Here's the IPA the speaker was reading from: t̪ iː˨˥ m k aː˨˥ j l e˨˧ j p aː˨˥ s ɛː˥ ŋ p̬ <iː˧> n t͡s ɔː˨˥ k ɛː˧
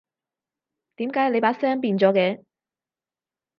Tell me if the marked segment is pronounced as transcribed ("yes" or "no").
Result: yes